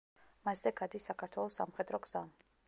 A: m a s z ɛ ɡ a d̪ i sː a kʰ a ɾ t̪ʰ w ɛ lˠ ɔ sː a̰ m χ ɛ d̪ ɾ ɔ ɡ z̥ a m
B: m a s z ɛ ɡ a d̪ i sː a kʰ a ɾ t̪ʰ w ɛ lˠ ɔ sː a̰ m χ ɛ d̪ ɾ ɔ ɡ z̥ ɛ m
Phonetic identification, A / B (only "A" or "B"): A